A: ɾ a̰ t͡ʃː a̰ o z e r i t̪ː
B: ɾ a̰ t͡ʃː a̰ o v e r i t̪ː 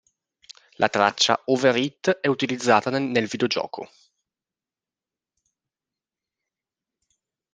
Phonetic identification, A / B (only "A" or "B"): B